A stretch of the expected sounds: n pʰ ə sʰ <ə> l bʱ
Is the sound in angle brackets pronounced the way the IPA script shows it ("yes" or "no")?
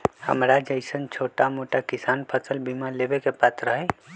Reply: yes